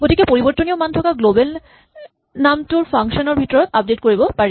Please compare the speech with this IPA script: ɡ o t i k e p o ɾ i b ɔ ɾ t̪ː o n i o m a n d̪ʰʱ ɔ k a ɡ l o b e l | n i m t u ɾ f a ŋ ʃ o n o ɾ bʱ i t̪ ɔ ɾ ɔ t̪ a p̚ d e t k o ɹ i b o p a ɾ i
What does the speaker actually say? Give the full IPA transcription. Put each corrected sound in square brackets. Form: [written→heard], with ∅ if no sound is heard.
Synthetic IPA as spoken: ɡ o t i k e p o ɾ i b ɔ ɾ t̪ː o n i o m a n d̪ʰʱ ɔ k a ɡ l o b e l | n [i→a] m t u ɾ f a ŋ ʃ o n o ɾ bʱ i t̪ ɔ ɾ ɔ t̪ a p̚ d e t k o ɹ i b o p a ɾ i

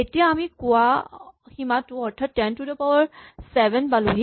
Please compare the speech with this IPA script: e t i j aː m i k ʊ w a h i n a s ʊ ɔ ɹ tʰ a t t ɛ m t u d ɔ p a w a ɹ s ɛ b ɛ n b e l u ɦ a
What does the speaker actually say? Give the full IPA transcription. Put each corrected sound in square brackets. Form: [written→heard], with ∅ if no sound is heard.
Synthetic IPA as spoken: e t i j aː m i k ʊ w a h i [n→m] a [s→t] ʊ ɔ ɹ tʰ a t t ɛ [m→n] t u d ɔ p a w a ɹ s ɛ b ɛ n b [e→a] l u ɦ [a→i]

